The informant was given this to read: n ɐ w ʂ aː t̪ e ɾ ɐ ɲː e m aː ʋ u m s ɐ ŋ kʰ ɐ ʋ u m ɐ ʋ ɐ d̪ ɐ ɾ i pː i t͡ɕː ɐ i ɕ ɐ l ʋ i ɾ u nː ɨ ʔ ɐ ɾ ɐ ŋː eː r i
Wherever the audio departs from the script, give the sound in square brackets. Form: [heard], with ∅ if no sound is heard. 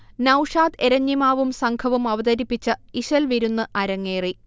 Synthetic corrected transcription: n ɐ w ʂ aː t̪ e ɾ ɐ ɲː [i] m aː ʋ u m s ɐ ŋ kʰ ɐ ʋ u m ɐ ʋ ɐ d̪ ɐ ɾ i pː i t͡ɕː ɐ i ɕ ɐ l ʋ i ɾ u nː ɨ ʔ ɐ ɾ ɐ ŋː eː r i